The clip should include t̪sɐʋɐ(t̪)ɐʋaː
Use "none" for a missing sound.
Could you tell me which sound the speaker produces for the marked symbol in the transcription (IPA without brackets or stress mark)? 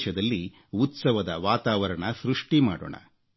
d̪